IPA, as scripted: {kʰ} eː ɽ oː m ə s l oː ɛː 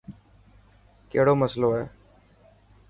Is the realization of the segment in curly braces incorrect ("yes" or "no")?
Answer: yes